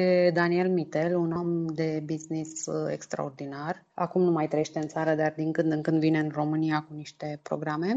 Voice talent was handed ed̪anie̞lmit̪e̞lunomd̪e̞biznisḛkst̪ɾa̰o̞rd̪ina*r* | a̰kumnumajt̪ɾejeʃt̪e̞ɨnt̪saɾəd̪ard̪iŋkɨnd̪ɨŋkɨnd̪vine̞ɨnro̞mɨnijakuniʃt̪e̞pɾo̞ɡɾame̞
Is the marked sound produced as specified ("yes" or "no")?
yes